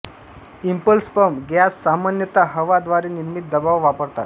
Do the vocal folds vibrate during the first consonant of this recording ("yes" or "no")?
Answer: yes